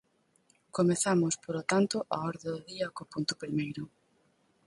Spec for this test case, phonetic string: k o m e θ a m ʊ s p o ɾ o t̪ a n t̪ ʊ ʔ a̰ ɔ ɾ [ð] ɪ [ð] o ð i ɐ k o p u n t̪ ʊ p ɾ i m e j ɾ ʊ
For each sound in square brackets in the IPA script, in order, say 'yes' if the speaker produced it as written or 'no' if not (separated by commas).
yes, yes